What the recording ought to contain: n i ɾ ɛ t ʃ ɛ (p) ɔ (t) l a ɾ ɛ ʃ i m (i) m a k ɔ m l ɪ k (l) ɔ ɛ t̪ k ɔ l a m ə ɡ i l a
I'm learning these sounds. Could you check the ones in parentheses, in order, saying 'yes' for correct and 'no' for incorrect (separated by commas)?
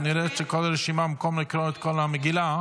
no, no, no, no